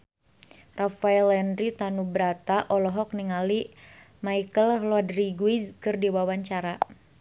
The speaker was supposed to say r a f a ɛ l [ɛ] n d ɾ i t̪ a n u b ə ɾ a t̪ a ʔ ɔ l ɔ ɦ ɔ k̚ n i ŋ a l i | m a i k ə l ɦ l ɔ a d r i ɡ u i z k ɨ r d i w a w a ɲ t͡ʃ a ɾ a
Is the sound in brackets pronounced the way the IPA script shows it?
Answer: yes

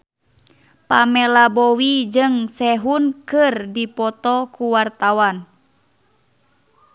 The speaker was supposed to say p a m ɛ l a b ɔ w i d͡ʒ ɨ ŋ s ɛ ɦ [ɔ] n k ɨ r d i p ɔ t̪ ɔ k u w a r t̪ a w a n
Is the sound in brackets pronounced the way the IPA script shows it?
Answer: no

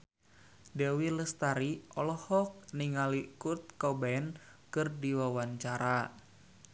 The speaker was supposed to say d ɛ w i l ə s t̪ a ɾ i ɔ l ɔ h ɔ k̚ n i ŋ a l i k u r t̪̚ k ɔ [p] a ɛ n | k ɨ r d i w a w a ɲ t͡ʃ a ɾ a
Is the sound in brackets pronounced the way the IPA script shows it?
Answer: no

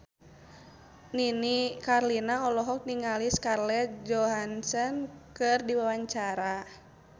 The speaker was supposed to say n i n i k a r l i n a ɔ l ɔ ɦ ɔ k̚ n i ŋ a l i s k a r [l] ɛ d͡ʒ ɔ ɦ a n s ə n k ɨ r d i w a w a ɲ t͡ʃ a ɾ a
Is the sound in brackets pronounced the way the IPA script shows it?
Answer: yes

